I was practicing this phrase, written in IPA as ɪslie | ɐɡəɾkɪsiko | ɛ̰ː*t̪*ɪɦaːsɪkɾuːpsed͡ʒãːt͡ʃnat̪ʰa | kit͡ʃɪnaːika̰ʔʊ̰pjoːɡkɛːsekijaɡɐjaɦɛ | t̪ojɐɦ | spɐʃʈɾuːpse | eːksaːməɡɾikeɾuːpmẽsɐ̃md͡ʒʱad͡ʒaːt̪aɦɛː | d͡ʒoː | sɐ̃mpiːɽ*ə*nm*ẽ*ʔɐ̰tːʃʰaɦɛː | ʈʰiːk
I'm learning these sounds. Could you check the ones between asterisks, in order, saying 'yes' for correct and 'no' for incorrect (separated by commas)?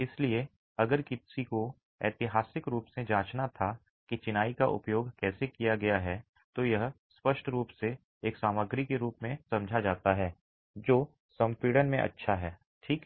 yes, yes, yes